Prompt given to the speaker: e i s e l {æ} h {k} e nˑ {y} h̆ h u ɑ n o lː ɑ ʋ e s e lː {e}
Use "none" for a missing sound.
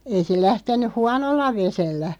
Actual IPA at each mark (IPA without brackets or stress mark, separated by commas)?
æ, t, y, æ